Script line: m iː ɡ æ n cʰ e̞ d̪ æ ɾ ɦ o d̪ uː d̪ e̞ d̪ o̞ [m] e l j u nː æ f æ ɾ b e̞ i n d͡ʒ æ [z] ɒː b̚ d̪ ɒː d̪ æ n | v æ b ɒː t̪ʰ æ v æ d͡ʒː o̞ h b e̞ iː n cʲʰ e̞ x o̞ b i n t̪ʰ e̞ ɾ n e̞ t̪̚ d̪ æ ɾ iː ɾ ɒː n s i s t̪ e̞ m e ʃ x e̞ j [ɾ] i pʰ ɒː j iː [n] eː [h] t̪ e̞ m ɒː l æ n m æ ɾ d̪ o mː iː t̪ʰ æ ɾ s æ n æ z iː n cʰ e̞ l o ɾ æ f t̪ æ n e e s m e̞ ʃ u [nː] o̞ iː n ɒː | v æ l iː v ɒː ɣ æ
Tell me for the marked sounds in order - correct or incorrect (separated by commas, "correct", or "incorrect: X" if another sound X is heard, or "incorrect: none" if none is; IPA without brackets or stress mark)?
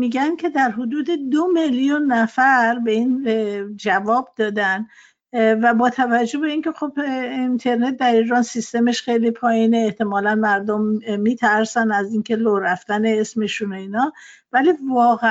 correct, incorrect: v, incorrect: l, correct, correct, incorrect: n